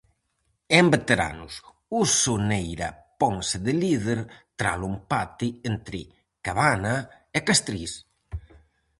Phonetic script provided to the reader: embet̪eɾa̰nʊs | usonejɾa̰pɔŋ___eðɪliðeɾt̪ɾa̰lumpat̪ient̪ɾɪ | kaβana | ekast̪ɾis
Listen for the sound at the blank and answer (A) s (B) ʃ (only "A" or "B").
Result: A